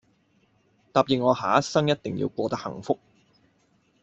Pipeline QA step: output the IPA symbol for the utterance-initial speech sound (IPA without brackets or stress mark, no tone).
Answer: t̪